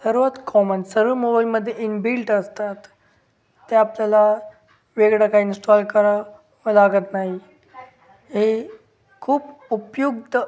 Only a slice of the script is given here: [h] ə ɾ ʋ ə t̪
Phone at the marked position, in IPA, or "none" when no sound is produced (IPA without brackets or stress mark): s